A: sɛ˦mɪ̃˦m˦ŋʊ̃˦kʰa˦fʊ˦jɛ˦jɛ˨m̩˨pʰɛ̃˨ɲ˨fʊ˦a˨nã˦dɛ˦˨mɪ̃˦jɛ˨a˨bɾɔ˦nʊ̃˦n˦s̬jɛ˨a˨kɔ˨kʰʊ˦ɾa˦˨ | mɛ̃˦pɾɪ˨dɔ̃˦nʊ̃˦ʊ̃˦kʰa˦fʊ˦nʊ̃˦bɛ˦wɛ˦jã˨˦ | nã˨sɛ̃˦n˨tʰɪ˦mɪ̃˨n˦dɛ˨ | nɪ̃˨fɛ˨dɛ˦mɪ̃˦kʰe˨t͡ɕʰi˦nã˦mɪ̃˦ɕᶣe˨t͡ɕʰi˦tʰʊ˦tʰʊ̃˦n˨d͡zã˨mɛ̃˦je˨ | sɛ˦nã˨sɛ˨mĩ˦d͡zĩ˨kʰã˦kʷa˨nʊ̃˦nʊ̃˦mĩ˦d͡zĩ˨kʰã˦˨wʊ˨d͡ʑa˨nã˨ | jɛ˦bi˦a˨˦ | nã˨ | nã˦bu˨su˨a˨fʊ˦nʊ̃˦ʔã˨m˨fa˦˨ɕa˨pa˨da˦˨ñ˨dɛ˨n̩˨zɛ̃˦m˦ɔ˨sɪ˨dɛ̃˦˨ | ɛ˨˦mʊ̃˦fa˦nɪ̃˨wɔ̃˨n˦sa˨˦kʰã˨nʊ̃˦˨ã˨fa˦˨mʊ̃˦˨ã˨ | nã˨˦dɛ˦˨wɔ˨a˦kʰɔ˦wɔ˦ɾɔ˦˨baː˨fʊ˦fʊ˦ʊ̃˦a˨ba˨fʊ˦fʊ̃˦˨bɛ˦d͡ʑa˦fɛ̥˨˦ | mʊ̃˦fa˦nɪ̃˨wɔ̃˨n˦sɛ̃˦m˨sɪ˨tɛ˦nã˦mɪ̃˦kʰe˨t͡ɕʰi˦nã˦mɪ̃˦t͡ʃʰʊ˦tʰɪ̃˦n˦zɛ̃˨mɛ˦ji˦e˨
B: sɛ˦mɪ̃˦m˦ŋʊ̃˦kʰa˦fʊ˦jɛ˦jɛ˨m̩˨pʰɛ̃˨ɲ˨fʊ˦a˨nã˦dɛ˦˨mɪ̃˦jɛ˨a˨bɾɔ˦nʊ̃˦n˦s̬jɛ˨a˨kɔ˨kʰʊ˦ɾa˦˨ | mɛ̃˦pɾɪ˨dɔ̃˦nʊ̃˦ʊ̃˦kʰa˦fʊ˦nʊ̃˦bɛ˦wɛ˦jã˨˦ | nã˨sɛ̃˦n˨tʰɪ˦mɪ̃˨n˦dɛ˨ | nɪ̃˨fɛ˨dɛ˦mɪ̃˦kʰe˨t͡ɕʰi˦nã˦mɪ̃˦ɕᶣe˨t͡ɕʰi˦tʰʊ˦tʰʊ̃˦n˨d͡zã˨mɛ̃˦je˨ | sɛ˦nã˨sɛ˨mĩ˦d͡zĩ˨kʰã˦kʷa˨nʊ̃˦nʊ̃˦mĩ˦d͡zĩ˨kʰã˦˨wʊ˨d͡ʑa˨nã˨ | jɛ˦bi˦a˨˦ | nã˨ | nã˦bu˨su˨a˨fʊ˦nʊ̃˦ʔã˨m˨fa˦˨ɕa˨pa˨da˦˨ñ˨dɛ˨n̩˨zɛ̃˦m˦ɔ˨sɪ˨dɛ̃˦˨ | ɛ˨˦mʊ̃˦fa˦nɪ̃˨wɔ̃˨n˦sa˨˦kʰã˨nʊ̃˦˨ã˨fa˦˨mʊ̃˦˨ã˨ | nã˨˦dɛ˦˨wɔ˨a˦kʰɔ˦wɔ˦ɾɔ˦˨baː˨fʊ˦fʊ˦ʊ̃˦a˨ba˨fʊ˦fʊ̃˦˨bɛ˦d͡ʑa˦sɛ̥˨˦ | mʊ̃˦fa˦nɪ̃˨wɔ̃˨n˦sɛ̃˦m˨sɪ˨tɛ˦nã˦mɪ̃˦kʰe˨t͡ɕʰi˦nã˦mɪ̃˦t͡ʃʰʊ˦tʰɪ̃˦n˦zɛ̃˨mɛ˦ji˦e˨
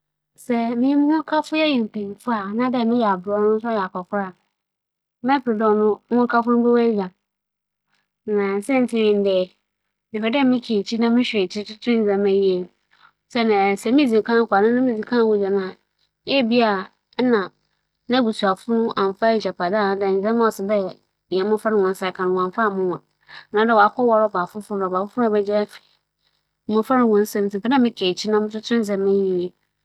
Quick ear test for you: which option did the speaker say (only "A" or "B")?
A